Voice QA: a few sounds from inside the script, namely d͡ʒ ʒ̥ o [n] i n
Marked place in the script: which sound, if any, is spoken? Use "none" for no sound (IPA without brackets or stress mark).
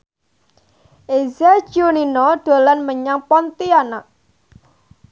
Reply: n